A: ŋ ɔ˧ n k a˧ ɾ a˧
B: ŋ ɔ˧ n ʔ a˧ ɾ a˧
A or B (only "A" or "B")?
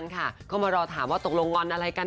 B